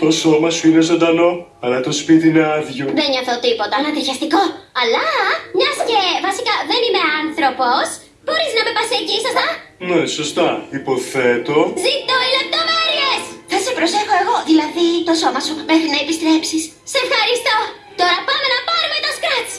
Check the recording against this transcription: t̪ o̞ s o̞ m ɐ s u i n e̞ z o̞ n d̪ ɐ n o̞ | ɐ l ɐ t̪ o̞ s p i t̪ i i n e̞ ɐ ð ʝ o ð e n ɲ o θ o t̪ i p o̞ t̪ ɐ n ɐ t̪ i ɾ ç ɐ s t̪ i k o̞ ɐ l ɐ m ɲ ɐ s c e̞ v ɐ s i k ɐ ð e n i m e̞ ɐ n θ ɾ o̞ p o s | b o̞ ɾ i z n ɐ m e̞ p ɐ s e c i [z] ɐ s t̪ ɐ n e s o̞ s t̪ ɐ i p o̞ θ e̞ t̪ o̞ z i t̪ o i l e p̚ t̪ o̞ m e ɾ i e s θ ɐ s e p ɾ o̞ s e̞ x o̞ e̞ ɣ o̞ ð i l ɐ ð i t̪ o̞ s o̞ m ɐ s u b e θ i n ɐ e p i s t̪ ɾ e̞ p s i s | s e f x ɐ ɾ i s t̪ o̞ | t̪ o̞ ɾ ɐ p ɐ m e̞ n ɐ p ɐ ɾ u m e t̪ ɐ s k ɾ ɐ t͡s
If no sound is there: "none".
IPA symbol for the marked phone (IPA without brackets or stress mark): s